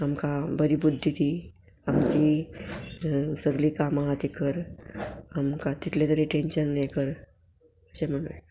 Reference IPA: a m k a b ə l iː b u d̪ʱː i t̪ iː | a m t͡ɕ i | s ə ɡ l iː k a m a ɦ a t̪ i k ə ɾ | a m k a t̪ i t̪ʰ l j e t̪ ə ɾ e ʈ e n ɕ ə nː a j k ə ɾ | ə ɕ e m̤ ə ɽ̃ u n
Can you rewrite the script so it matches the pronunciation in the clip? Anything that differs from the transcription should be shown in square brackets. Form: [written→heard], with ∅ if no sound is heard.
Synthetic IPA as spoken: a m k a b ə [l→ɾ] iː b u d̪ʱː i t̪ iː | a m t͡ɕ i | s ə ɡ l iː k a m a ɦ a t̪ i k ə ɾ | a m k a t̪ i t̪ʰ l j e t̪ ə ɾ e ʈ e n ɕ ə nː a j k ə ɾ | ə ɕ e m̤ ə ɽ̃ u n